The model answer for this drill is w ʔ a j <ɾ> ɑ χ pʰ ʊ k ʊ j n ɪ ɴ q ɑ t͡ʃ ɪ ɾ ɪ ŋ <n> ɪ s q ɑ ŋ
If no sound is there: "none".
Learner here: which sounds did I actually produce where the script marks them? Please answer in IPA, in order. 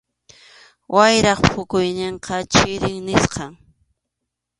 ɾ, n

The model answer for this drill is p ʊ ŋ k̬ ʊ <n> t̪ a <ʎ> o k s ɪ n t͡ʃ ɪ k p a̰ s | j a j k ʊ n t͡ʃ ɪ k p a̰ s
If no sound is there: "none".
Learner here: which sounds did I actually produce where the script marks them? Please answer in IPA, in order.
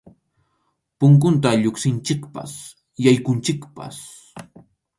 n, ʎ

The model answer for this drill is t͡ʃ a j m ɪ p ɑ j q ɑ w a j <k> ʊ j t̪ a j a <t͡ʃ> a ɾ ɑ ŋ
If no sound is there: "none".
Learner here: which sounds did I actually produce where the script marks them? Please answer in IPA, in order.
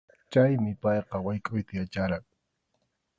kʼ, t͡ʃ

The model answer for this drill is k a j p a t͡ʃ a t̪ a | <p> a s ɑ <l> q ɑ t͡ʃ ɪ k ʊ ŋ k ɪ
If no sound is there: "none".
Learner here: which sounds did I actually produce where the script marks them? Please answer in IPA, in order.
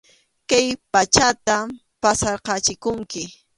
p, ɾ

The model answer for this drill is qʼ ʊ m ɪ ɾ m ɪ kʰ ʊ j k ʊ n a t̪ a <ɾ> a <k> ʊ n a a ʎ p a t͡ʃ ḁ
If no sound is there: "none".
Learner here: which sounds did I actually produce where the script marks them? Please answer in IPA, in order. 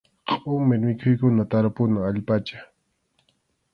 ɾ, p

